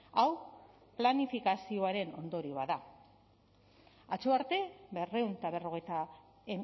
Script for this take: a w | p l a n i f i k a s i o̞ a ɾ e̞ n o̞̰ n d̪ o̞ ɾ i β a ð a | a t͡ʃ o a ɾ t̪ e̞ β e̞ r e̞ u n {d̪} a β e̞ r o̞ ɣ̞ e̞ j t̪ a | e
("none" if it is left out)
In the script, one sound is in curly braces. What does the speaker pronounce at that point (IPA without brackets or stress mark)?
t̪